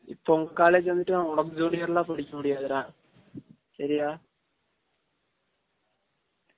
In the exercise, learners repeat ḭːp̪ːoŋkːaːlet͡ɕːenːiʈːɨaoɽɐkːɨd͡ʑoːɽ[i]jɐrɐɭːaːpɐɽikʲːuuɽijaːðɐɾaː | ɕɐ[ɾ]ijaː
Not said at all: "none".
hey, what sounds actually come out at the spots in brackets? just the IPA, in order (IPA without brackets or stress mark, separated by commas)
i, ɾ